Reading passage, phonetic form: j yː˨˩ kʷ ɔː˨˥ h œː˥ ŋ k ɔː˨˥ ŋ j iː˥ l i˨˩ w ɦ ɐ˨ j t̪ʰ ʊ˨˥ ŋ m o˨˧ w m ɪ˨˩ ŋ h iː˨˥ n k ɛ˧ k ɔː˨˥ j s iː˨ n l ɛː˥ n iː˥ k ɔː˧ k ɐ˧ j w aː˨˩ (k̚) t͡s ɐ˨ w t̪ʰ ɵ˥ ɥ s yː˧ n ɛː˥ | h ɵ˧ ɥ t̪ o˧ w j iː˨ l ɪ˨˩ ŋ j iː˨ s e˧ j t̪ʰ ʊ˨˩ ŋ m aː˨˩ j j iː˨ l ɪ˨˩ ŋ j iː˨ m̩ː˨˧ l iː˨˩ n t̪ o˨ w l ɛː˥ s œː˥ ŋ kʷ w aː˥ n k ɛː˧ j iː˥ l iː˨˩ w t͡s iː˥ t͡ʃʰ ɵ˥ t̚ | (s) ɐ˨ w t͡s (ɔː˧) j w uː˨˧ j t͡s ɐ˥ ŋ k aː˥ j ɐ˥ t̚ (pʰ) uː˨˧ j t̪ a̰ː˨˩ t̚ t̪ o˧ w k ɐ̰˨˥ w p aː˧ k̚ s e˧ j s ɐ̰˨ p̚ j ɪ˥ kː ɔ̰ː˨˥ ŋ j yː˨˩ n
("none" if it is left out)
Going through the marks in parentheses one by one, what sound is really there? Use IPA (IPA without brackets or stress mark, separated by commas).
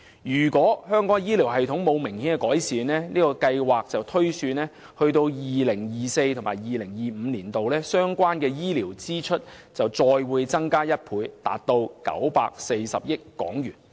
k̚, t͡s, ɔː˧, pʰ